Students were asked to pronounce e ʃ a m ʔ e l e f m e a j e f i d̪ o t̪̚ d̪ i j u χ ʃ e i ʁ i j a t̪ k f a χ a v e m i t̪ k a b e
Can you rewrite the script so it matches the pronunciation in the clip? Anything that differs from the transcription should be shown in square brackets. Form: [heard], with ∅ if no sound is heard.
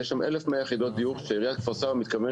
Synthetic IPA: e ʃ a m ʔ e l e f m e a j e [χ] i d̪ o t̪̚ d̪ i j u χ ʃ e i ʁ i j a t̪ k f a [s] a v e m i t̪ k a [v] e